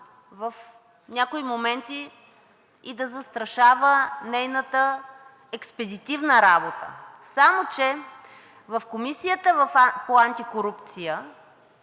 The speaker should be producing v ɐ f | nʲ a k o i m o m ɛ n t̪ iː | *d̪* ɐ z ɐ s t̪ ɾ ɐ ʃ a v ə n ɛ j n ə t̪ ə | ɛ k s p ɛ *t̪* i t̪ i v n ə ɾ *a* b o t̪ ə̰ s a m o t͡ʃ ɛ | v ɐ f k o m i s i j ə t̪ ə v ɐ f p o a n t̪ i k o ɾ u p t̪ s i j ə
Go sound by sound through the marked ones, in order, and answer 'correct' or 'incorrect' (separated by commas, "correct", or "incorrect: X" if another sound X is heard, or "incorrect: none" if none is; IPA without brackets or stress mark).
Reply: correct, incorrect: d̪, correct